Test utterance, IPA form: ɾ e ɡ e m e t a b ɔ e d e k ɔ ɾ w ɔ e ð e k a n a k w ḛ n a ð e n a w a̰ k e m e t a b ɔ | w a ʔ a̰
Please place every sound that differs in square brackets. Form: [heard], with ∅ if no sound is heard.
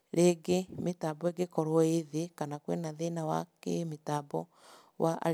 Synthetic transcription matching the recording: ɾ e ɡ e m e t a b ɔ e [ɡ] e k ɔ ɾ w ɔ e ð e k a n a k w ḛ n a ð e n a w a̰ k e m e t a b ɔ | w a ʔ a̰